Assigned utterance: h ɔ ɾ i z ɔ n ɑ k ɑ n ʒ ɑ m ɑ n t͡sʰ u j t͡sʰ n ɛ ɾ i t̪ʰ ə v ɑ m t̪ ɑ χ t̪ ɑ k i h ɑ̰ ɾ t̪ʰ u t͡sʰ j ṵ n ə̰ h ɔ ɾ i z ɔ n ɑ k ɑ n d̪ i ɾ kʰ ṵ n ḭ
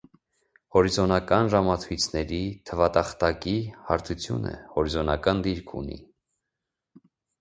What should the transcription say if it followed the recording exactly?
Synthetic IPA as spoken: h ɔ ɾ i z ɔ n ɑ k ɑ n ʒ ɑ m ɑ t͡sʰ u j t͡sʰ n ɛ ɾ i t̪ʰ ə v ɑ t̪ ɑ χ t̪ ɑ k i h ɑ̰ ɾ t̪ʰ u t͡sʰ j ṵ n ə̰ h ɔ ɾ i z ɔ n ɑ k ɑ n d̪ i ɾ kʰ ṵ n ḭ

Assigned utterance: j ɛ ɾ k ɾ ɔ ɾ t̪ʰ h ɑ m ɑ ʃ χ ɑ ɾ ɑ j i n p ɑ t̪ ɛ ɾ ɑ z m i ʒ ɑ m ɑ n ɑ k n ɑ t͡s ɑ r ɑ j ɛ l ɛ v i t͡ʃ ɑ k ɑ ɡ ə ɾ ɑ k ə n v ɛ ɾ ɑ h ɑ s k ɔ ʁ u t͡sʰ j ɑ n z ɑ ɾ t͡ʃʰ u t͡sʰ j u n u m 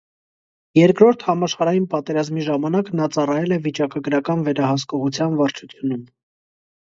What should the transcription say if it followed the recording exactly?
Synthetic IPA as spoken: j ɛ ɾ k ɾ ɔ ɾ t̪ʰ h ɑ m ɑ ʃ χ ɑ ɾ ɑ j i n p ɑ t̪ ɛ ɾ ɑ z m i ʒ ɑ m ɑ n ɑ k n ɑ t͡s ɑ r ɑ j ɛ l ɛ v i t͡ʃ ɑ k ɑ ɡ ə ɾ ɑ k ɑ n v ɛ ɾ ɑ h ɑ s k ɔ ʁ u t͡sʰ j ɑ n v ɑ ɾ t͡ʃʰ u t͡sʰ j u n u m

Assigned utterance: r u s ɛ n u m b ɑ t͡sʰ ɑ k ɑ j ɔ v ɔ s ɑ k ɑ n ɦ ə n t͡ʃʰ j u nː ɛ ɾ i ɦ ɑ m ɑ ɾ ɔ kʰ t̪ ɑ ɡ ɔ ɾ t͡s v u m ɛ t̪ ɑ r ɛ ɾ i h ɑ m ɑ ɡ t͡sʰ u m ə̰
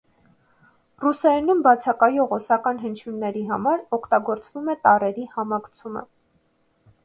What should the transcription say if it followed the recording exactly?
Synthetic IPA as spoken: r u s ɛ n u m b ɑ t͡sʰ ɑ k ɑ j ɔ ʁ ɔ s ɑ k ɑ n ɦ ə n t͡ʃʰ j u nː ɛ ɾ i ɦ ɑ m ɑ ɾ ɔ kʰ t̪ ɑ ɡ ɔ ɾ t͡s v u m ɛ t̪ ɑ r ɛ ɾ i h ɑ m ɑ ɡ t͡sʰ u m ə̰

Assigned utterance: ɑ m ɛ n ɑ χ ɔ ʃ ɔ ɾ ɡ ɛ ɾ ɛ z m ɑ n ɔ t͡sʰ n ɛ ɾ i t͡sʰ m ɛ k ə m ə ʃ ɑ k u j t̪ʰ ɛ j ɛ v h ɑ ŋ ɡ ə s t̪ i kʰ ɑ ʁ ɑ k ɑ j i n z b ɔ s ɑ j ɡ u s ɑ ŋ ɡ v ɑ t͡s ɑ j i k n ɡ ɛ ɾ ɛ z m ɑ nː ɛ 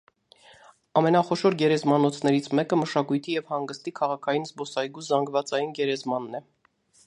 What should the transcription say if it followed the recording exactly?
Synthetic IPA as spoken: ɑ m ɛ n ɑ χ ɔ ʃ ɔ ɾ ɡ ɛ ɾ ɛ z m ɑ n ɔ t͡sʰ n ɛ ɾ i t͡sʰ m ɛ k ə m ə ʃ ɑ k u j t̪ʰ i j ɛ v h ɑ ŋ ɡ ə s t̪ i kʰ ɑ ʁ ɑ kʰ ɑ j i n z b ɔ s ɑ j ɡ u z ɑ ŋ ɡ v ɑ t͡s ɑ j i n ɡ ɛ ɾ ɛ z m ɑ nː ɛ

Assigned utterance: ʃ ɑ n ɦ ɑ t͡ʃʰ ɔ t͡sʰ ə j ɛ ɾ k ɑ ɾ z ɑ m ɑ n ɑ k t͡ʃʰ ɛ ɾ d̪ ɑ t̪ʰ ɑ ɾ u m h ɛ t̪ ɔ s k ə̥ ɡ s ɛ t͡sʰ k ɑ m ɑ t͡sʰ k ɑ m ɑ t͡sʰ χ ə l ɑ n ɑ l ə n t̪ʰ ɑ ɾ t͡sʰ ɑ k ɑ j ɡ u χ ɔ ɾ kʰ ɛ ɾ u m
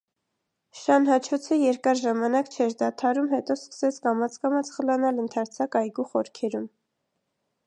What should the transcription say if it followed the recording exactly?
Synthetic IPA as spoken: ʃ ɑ n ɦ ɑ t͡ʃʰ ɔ t͡sʰ ə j ɛ ɾ k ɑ ɾ ʒ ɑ m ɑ n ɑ k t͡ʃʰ ɛ ɾ d̪ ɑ t̪ʰ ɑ ɾ u m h ɛ t̪ ɔ s k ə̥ s ɛ t͡sʰ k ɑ m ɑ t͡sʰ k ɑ m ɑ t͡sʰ χ ə l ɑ n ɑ l ə n t̪ʰ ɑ ɾ t͡sʰ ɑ k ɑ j ɡ u χ ɔ ɾ kʰ ɛ ɾ u m

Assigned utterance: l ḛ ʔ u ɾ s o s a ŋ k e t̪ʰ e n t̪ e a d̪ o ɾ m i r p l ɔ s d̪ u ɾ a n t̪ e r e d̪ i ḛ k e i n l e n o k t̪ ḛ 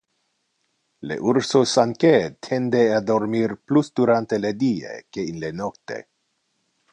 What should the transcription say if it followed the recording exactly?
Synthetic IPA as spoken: l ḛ ʔ u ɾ s o s a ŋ k e t̪ʰ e n d̪ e a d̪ o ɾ m i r p l u s d̪ u ɾ a n t̪ e l e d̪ i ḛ k e i n l e n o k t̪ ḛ

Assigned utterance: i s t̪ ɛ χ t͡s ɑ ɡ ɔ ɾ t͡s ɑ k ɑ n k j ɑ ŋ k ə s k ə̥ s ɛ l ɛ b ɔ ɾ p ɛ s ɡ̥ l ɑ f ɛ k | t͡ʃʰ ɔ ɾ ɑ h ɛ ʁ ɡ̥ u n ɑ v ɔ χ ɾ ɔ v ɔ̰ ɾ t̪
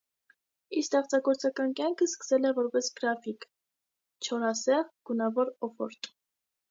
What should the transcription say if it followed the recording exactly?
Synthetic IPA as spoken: i s t̪ ɛ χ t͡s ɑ ɡ ɔ ɾ t͡s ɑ k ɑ n k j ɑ ŋ kʰ ə s k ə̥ s ɛ l ɛ v ɔ ɾ p ɛ s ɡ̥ ɾ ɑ f i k | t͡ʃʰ ɔ ɾ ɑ s ɛ ʁ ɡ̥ u n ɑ v ɔ ɾ ɔ f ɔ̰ ɾ t̪

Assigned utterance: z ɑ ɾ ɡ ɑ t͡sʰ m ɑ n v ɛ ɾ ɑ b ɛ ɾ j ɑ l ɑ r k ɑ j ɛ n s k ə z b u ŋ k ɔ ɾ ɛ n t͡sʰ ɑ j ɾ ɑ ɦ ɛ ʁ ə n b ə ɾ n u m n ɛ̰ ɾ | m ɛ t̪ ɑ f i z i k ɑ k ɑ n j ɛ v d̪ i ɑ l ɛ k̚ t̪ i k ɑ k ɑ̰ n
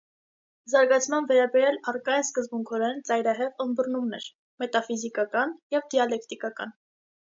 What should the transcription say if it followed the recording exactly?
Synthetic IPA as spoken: z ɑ ɾ ɡ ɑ t͡sʰ m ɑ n v ɛ ɾ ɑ b ɛ ɾ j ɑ l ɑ r k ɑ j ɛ n s k ə z b u ŋ kʰ ɔ ɾ ɛ n t͡s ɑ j ɾ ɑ ɦ ɛ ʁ ə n b ə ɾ n u m n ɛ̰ ɾ | m ɛ t̪ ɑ f i z i k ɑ k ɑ n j ɛ v d̪ i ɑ l ɛ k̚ t̪ i k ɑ k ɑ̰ n

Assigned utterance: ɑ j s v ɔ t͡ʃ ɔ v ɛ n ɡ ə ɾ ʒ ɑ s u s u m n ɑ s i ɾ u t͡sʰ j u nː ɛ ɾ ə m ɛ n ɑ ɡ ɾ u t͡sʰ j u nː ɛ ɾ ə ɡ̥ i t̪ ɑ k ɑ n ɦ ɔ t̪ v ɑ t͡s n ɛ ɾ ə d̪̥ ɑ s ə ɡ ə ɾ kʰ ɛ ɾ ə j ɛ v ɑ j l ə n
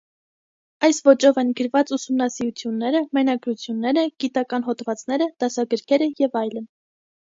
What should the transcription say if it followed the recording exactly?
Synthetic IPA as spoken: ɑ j s v ɔ t͡ʃ ɔ v ɛ n ɡ ə ɾ v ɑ t͡s u s u m n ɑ s i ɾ u t͡sʰ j u nː ɛ ɾ ə m ɛ n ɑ ɡ ɾ u t͡sʰ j u nː ɛ ɾ ə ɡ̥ i t̪ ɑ k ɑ n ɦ ɔ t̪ v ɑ t͡s n ɛ ɾ ə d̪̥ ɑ s ɑ ɡ ə ɾ kʰ ɛ ɾ ə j ɛ v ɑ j l ə n

